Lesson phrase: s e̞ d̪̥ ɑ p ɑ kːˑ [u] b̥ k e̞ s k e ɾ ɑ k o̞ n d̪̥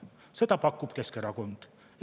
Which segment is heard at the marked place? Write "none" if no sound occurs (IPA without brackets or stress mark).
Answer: u